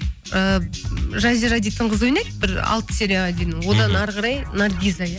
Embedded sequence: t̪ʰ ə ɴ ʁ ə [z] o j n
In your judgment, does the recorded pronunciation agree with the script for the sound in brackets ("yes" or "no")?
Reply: yes